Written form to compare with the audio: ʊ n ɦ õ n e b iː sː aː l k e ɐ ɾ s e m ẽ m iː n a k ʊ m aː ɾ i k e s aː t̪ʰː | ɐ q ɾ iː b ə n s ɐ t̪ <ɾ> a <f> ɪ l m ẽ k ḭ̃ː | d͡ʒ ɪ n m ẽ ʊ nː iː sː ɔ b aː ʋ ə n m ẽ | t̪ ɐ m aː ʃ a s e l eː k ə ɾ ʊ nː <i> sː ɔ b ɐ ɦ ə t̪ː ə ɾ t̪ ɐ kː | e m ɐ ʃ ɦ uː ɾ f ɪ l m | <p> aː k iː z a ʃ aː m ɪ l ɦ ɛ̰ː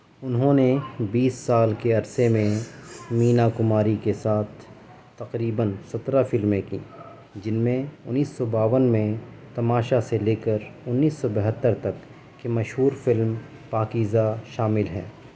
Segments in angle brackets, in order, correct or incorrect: correct, correct, incorrect, correct

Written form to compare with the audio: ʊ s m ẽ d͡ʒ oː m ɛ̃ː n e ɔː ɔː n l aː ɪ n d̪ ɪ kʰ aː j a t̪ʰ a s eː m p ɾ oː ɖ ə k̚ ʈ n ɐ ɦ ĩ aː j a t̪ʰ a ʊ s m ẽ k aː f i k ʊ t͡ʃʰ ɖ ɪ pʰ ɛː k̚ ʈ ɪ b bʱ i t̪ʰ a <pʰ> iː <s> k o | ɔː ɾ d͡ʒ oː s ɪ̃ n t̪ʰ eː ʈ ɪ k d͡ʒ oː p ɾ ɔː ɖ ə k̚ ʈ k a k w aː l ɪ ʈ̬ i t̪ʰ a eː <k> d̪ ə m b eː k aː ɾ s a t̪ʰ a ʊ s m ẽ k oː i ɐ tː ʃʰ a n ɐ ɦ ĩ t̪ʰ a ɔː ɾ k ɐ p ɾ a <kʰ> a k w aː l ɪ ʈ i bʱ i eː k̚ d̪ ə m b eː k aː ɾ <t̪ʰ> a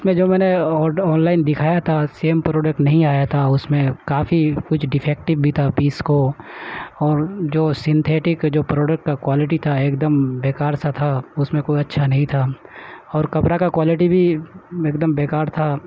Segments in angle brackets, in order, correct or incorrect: incorrect, correct, correct, incorrect, correct

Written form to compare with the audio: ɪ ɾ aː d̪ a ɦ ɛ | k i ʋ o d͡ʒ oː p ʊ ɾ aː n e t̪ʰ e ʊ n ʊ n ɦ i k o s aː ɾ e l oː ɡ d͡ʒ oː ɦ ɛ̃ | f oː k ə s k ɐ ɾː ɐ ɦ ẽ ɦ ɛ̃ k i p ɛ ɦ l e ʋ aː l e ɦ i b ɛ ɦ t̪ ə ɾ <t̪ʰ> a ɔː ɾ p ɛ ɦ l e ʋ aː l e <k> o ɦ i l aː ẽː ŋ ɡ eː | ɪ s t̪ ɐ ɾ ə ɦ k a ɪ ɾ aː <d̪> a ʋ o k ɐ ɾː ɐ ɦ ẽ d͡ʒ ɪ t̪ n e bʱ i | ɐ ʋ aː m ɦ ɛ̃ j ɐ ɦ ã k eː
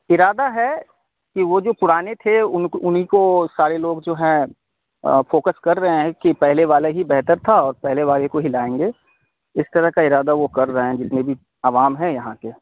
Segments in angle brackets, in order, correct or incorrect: correct, correct, correct

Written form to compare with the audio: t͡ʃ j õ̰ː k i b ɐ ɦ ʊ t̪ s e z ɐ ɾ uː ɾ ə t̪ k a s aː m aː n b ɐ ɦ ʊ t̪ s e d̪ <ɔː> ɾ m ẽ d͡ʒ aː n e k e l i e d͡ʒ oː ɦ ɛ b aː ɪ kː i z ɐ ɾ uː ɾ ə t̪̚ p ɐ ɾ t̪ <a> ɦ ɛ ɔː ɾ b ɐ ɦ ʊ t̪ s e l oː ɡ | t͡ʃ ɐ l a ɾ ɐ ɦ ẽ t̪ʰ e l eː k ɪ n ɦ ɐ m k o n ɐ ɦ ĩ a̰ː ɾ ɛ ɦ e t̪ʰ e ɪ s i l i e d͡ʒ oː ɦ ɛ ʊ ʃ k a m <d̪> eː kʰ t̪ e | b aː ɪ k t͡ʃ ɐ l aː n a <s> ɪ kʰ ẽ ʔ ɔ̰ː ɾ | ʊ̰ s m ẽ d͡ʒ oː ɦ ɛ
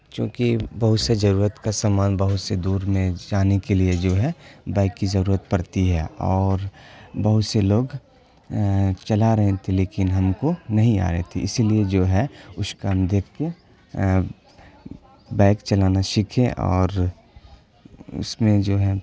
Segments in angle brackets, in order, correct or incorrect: incorrect, incorrect, correct, incorrect

